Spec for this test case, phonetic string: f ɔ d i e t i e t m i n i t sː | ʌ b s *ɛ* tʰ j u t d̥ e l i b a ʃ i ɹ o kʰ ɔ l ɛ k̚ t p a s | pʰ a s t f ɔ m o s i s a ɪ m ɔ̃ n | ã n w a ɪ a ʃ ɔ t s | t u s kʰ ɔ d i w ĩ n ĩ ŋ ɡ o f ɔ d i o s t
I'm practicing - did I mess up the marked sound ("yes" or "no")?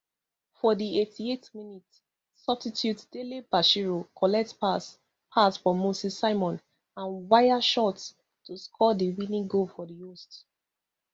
yes